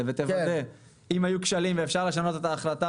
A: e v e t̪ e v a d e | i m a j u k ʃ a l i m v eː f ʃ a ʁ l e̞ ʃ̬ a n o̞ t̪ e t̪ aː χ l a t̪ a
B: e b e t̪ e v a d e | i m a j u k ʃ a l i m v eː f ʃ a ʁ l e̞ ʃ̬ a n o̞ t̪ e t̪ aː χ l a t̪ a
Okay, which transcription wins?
A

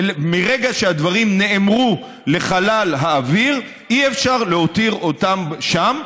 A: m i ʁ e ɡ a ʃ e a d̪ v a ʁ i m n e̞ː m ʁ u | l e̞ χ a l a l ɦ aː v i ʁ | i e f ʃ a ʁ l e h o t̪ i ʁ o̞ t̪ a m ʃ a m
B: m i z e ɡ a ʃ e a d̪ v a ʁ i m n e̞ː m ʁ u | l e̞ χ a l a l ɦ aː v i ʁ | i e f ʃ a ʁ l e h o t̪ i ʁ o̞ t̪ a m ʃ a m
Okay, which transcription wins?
A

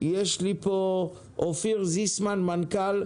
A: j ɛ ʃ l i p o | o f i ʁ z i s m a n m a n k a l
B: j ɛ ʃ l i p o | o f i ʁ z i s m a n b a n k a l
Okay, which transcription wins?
A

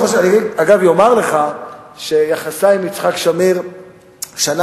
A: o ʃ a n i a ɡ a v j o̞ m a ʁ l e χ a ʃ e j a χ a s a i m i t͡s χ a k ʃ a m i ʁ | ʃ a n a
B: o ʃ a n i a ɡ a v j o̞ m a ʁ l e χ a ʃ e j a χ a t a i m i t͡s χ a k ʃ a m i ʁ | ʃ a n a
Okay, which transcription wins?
A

